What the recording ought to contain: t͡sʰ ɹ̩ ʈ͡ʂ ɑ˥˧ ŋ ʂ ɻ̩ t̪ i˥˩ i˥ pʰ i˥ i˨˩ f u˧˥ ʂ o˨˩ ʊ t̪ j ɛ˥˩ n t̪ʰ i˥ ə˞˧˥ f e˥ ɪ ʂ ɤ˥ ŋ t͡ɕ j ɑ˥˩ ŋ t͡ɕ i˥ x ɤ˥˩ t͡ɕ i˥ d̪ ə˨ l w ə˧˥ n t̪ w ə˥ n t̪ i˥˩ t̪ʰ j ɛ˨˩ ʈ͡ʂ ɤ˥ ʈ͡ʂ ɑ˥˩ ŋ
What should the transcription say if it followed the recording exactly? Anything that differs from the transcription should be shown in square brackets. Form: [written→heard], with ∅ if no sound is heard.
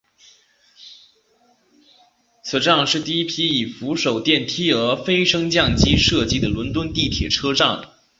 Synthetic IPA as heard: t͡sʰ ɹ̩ ʈ͡ʂ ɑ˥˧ ŋ ʂ ɻ̩ t̪ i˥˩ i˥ pʰ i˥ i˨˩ f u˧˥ ʂ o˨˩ ʊ t̪ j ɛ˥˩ n t̪ʰ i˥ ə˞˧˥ f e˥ ɪ ʂ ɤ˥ ŋ t͡ɕ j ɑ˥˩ ŋ t͡ɕ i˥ [x→ʂ] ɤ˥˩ t͡ɕ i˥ d̪ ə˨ l w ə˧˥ n t̪ w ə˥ n t̪ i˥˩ t̪ʰ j ɛ˨˩ [ʈ͡ʂ→ʈ͡ʂʰ] ɤ˥ ʈ͡ʂ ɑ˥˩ ŋ